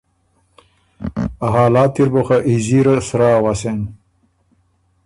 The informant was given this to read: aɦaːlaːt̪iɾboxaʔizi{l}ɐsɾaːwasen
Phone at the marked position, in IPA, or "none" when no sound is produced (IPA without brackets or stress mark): ɾ